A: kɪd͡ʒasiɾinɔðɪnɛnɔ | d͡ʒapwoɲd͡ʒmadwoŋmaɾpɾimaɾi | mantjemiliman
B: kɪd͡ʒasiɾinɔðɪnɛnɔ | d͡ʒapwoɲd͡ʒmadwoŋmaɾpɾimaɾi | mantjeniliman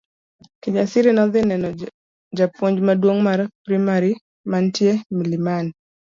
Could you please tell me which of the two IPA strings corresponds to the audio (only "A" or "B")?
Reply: A